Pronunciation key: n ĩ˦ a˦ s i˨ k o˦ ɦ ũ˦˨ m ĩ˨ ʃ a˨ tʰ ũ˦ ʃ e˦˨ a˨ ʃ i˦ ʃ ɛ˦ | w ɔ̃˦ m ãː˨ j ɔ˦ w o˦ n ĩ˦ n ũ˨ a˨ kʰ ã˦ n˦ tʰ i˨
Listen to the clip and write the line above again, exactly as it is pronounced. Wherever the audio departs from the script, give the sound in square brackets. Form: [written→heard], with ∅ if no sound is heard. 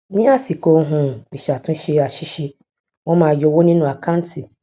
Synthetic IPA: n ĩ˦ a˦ s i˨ k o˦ ɦ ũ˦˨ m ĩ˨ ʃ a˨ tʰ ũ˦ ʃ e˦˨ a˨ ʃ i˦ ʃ [ɛ˦→i˦] | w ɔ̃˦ m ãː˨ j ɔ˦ w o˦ n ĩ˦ n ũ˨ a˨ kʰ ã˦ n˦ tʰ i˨

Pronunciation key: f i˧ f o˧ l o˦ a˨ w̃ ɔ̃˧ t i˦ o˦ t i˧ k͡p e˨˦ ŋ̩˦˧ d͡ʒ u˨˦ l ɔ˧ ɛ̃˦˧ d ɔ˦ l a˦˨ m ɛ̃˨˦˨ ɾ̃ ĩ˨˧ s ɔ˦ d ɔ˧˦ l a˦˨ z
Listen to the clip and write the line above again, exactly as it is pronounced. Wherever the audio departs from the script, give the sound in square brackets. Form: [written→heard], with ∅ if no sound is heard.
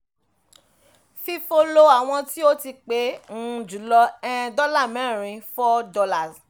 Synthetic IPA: f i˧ f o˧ l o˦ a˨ w̃ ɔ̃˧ t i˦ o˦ t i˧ k͡p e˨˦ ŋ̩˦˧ d͡ʒ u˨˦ l ɔ˧ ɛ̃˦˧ d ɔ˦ l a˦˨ m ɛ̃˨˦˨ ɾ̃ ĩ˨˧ [s→f] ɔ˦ d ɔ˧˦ l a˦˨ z

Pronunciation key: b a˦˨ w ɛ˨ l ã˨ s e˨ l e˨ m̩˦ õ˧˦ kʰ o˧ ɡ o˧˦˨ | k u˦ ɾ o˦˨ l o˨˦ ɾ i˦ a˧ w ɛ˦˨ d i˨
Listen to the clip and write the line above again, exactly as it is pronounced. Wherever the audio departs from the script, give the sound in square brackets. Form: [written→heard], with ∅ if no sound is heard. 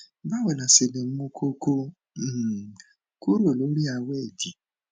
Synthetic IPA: b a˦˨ w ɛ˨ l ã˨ s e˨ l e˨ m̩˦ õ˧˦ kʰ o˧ [ɡ→k] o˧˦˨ | k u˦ ɾ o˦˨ l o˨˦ ɾ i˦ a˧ w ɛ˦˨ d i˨

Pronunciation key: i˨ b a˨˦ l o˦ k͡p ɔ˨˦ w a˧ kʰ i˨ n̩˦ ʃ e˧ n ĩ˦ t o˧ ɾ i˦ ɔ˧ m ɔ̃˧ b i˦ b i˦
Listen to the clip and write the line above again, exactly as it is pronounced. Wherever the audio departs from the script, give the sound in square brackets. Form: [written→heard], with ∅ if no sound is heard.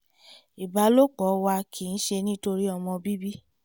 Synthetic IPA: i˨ b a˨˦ l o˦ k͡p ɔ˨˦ w a˧ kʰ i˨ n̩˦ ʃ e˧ n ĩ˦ t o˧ ɾ i˦ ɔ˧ m ɔ̃˧ b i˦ b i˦

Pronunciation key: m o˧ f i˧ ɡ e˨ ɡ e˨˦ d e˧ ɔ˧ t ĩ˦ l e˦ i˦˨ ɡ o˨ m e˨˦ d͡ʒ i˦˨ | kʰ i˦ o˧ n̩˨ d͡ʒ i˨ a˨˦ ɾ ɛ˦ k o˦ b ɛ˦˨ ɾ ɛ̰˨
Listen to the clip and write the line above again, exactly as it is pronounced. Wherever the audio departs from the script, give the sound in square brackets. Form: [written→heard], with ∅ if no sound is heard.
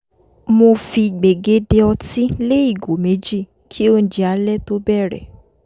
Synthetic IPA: m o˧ f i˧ [ɡ→ɡ͡b] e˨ ɡ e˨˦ d e˧ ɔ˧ t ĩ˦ l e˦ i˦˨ ɡ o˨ m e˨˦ d͡ʒ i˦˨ | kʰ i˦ o˧ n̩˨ d͡ʒ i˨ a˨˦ [ɾ→l] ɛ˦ [k→t] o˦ b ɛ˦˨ ɾ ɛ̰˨

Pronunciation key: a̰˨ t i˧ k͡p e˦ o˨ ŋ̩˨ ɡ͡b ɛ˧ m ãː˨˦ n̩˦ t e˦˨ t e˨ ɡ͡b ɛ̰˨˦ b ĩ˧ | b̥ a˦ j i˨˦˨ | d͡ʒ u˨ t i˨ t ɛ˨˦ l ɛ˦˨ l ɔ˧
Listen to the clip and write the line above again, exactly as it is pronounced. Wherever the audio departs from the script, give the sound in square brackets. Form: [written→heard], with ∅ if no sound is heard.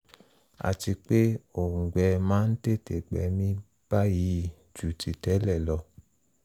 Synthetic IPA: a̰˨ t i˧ k͡p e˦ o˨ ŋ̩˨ ɡ͡b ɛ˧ m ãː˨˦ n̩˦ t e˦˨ t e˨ ɡ͡b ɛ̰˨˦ [b→m] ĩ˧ | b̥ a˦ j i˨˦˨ | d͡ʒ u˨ t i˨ t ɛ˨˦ l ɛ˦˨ l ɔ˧

